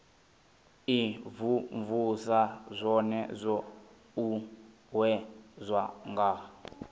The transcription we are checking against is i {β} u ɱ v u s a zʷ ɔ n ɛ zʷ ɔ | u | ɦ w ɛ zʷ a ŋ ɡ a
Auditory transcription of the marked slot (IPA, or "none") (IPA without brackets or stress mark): v